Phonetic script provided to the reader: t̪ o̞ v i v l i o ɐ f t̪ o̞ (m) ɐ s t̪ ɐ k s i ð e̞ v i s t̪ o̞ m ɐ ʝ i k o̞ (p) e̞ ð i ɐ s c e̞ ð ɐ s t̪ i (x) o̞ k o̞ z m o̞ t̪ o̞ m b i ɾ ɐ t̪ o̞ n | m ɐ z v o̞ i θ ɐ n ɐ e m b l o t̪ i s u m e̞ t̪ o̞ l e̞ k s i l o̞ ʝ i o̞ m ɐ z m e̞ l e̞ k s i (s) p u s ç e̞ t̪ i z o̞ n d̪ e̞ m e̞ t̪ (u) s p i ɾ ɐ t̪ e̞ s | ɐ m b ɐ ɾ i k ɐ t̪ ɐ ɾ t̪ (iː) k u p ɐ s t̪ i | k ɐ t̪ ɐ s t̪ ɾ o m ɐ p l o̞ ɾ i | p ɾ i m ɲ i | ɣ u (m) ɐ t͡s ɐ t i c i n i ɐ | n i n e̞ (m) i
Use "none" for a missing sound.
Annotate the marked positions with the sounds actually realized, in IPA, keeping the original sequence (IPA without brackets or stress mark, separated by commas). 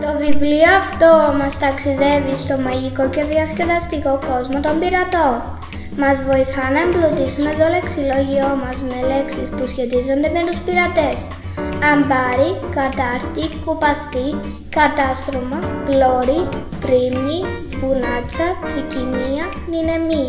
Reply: m, c, k, s, u, i, n, m